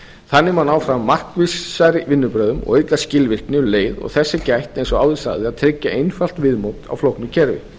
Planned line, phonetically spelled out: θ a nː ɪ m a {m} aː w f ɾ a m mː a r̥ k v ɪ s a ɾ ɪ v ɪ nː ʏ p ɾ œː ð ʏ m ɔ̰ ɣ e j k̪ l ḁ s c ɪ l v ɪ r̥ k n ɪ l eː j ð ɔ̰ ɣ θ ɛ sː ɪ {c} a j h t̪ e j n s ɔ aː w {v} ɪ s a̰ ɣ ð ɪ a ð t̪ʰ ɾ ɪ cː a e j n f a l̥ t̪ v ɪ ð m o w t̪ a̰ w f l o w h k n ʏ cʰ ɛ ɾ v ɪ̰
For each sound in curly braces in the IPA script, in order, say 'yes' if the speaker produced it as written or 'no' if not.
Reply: no, yes, no

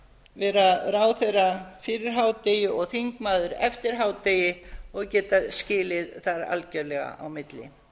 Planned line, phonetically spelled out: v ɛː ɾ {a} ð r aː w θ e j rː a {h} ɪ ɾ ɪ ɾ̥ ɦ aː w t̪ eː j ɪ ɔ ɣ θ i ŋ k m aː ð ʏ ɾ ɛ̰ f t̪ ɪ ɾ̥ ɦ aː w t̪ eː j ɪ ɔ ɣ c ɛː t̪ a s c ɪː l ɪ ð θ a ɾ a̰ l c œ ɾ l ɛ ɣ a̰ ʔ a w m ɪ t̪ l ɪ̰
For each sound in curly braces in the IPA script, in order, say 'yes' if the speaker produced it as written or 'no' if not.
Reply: yes, no

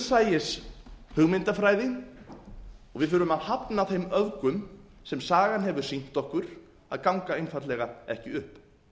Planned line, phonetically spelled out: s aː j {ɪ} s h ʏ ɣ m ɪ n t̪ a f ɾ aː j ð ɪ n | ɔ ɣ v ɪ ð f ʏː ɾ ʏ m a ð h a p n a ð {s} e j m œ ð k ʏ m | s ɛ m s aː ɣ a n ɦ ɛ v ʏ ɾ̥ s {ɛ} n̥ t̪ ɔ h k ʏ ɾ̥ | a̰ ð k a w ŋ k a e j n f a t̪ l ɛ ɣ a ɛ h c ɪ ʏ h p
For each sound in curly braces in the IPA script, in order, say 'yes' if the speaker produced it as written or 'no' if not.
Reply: yes, no, no

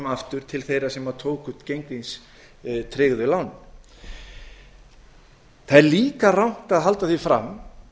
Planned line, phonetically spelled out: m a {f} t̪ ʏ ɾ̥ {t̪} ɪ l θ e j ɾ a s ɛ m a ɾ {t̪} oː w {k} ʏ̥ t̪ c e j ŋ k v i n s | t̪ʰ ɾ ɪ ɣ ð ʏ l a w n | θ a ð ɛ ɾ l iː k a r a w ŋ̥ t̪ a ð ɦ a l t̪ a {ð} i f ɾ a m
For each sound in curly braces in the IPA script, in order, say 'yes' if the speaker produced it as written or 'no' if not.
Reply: yes, no, no, yes, no

